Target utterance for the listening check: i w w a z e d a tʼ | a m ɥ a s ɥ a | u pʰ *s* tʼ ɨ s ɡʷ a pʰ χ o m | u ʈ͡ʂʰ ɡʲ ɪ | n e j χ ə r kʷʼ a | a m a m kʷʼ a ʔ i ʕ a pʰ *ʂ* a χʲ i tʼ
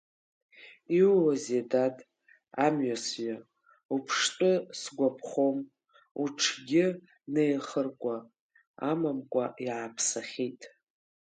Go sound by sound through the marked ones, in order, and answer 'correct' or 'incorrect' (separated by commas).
incorrect, incorrect